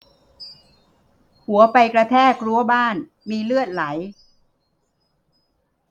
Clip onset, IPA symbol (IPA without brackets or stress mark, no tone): h